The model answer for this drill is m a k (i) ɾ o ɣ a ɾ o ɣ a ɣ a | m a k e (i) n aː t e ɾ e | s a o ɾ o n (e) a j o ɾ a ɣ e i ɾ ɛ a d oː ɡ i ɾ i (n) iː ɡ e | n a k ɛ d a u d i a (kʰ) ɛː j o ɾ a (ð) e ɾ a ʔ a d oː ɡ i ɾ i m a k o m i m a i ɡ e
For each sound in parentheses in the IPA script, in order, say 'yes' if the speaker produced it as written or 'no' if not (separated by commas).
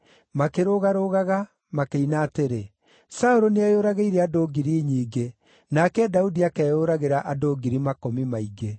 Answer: no, yes, yes, no, no, no